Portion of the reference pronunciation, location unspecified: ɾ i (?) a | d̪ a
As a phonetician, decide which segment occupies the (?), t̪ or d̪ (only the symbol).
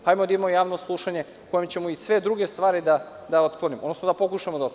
d̪